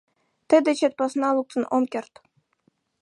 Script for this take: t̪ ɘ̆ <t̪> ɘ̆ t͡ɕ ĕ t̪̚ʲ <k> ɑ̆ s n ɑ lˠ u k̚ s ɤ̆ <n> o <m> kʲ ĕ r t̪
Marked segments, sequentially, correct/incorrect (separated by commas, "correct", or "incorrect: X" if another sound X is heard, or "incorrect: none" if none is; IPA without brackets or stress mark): incorrect: d̪, incorrect: p, correct, correct